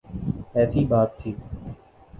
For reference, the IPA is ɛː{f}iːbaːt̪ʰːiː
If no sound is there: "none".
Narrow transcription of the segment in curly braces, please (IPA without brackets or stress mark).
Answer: s